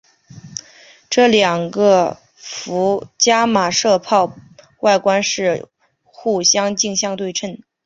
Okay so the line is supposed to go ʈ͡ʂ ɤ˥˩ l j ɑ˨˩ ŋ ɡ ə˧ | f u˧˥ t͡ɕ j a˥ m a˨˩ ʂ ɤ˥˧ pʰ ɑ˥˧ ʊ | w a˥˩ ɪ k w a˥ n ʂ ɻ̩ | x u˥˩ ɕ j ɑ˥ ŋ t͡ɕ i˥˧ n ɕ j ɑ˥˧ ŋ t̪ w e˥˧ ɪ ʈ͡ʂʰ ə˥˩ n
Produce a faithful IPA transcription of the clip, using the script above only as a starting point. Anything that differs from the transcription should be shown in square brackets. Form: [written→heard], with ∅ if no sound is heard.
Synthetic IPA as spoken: ʈ͡ʂ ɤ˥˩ l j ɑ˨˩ ŋ ɡ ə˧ | f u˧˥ t͡ɕ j a˥ m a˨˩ ʂ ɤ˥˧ pʰ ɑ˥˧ ʊ | w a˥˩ ɪ k w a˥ n ʂ ɻ̩ | x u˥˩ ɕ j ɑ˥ ŋ t͡ɕ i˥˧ [n→ŋ] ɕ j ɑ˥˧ ŋ t̪ w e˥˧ ɪ ʈ͡ʂʰ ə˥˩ n